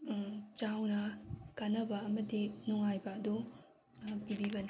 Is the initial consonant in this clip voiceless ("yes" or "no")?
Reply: yes